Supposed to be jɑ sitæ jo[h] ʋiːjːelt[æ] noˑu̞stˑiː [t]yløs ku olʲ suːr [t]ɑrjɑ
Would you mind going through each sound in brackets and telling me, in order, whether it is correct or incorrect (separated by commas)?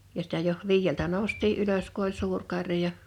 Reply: correct, correct, incorrect, incorrect